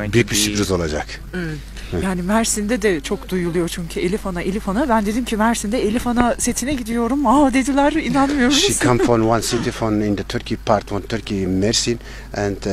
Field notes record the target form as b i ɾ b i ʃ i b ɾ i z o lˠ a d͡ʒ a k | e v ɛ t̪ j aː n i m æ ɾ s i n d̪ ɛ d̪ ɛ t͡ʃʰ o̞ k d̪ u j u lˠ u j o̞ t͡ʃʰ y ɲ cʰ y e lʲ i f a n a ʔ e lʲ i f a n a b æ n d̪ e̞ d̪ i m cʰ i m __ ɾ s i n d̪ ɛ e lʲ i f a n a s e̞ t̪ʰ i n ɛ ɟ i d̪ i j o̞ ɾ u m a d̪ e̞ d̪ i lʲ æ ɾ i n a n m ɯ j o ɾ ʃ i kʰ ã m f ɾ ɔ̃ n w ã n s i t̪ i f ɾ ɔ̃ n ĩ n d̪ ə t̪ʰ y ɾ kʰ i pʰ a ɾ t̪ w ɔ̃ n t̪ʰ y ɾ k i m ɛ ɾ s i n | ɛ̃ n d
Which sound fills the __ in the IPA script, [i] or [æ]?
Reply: æ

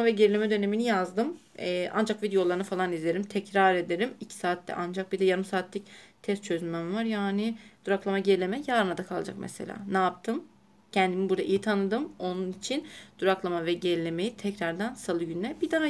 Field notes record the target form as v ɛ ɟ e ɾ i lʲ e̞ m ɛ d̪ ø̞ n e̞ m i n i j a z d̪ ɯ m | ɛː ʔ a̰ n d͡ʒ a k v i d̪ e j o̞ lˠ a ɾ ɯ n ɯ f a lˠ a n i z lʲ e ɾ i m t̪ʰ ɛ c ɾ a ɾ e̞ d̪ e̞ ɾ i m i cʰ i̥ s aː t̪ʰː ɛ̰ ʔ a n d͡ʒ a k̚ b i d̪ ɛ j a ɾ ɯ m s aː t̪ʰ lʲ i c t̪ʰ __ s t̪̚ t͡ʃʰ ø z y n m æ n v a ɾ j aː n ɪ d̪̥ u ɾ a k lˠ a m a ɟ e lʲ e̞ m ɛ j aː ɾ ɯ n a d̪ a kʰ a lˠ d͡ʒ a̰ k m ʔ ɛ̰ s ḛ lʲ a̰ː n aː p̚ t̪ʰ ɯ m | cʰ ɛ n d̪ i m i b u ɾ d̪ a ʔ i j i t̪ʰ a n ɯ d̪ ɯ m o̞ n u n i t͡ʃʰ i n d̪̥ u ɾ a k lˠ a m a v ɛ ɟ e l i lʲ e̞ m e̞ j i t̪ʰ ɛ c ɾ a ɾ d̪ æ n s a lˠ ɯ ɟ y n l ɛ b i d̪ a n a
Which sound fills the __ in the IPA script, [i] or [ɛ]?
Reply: ɛ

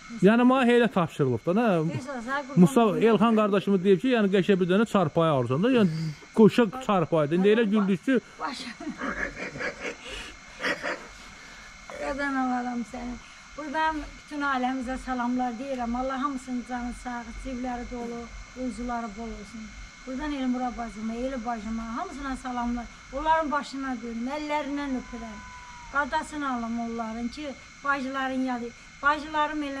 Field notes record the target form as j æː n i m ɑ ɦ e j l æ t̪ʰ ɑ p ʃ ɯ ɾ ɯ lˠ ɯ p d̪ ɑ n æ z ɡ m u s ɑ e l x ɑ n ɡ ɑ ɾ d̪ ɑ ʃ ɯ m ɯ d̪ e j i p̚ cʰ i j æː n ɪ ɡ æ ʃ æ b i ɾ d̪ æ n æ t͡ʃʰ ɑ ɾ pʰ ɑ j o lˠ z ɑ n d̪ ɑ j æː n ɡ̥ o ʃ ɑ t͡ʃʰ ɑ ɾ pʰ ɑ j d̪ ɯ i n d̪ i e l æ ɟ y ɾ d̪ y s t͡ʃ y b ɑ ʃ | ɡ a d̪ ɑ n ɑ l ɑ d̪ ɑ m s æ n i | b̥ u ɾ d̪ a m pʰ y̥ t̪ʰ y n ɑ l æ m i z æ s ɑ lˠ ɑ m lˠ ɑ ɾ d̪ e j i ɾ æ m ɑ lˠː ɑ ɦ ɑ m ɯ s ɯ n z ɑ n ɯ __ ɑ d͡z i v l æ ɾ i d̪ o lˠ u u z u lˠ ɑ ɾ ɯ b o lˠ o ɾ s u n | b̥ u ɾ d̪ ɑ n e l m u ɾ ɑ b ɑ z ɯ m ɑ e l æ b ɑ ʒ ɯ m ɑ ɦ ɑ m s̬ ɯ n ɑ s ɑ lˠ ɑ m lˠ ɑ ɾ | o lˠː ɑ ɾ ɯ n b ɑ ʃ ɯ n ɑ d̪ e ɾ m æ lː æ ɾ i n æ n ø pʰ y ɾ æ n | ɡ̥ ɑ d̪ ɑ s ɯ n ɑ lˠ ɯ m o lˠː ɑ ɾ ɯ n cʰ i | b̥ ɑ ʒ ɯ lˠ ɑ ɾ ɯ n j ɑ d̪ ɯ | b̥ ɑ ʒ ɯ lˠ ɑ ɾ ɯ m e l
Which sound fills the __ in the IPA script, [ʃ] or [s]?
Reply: s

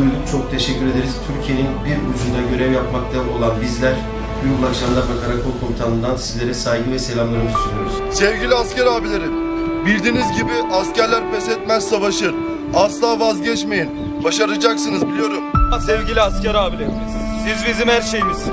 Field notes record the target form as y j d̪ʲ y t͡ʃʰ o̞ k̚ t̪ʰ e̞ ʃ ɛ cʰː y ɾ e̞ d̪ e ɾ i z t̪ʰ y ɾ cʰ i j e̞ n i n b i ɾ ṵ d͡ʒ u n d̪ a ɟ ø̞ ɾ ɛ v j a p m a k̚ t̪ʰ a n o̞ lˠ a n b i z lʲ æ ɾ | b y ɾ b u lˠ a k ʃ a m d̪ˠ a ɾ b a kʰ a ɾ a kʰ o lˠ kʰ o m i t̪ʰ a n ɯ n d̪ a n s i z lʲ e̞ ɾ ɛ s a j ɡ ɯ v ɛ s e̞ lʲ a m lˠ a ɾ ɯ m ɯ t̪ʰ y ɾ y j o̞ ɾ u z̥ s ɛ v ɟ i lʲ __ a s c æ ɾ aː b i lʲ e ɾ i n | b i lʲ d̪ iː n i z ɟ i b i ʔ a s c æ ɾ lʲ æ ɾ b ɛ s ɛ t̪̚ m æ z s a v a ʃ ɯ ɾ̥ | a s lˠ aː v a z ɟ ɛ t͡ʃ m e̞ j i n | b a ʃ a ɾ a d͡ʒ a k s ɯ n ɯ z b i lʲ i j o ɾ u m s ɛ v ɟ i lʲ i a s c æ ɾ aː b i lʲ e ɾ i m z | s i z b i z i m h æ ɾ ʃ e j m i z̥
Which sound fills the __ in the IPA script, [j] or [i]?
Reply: i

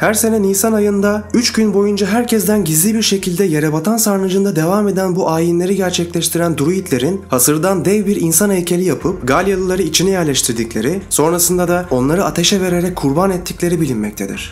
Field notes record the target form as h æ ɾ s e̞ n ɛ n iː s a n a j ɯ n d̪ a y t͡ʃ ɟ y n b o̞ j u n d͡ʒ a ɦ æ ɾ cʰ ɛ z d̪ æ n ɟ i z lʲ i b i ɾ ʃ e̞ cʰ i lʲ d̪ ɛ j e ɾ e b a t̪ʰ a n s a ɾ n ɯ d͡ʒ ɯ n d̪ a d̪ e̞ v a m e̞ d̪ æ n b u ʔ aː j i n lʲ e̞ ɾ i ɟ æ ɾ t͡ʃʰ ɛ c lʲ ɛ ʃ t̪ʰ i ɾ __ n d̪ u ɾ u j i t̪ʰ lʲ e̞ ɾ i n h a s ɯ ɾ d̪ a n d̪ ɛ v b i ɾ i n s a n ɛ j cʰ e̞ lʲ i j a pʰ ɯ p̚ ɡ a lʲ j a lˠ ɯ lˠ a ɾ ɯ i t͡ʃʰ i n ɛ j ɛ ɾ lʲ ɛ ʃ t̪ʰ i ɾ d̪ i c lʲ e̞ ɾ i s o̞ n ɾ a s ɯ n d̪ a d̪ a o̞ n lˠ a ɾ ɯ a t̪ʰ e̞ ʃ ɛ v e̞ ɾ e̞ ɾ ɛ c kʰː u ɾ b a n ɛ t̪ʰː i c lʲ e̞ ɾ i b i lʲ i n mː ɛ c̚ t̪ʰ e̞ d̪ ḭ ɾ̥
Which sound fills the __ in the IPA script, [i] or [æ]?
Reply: æ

